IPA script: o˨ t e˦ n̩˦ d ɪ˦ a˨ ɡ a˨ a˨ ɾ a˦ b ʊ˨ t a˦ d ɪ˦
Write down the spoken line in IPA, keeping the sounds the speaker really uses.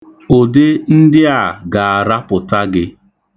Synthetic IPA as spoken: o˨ d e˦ n̩˦ d ɪ˦ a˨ ɡ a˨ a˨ ɾ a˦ p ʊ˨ t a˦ ɡ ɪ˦